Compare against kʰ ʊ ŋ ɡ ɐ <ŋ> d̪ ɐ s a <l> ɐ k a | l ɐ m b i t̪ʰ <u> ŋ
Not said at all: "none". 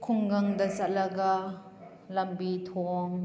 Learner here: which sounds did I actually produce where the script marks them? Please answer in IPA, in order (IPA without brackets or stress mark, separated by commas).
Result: ŋ, l, ɔ